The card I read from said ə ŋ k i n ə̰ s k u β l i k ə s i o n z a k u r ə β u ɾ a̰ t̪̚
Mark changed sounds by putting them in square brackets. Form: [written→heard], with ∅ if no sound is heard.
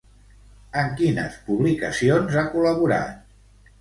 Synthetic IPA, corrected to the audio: ə ŋ k i n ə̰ s [k→p] u β l i k ə s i o n z a k u [r→l] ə β u ɾ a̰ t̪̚

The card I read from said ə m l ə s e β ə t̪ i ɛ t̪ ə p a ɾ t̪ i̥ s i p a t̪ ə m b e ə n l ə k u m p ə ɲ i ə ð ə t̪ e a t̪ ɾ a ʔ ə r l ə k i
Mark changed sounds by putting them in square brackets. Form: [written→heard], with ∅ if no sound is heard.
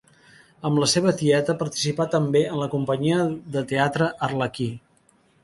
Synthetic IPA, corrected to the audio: ə m l ə s e β ə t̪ i ɛ t̪ ə p [a→ə] ɾ t̪ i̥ s i p a t̪ ə m b e ə n l ə k u m p ə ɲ i ə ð ə t̪ e a t̪ ɾ [a→ə] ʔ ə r l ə k i

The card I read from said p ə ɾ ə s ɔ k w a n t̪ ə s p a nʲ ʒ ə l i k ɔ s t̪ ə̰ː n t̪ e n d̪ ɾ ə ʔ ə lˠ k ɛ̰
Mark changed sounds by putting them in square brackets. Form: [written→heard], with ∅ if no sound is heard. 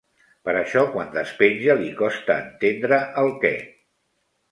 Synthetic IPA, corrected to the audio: p ə ɾ ə [s→ʃ] ɔ k w a n [t̪→d̪] ə s p [a→e] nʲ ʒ ə l i k ɔ s t̪ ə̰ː n t̪ e n d̪ ɾ ə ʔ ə lˠ k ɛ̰

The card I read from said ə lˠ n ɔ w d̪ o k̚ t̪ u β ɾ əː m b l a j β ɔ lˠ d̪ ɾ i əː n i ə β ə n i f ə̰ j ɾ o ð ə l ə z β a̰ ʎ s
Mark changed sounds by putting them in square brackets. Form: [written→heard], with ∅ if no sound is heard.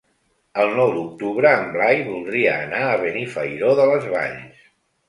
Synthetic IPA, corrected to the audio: ə lˠ n ɔ w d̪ [o→u] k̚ t̪ u β ɾ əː m b l a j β [ɔ→u] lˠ d̪ ɾ i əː n [i→a] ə β ə n i f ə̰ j ɾ o ð ə l ə z β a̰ ʎ s

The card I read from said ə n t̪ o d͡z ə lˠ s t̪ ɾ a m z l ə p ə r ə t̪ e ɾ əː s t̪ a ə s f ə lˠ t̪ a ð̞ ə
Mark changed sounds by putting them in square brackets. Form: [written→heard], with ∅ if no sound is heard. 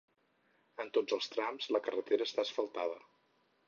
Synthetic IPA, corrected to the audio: ə n t̪ o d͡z ə lˠ s t̪ ɾ a m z l ə [p→k] ə r ə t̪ e ɾ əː s t̪ a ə s f ə lˠ t̪ a ð̞ ə

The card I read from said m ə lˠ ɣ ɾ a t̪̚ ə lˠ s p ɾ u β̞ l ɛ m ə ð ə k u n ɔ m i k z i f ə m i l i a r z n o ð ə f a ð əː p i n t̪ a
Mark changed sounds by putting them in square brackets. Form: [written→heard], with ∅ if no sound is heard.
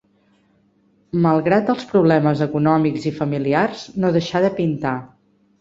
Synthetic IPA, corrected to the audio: m ə lˠ ɣ ɾ a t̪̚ ə lˠ s p ɾ u β̞ l ɛ m ə [ð→z] ə k u n ɔ m i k z i f ə m i l i a r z n o ð ə [f→ʃ] a ð [əː→ə] p i n t̪ a

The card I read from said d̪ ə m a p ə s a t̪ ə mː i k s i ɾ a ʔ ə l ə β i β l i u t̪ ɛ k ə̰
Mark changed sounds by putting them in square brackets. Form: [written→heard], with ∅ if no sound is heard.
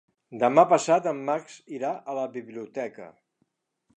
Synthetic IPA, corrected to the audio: d̪ ə m a p ə s a t̪ ə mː [i→a] k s i ɾ a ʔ ə l ə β i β l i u t̪ ɛ k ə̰

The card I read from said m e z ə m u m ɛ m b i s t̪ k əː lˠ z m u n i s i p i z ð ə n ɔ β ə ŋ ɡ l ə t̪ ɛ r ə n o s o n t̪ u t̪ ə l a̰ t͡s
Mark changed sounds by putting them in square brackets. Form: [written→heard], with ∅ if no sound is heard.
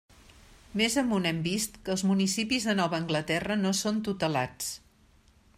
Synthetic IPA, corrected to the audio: m e z ə m u [m→n] ɛ m b i s t̪ k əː lˠ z m u n i s i p i z ð ə n ɔ β [ə→əː] ŋ ɡ l ə t̪ ɛ r ə n o s o n t̪ u t̪ ə l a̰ t͡s

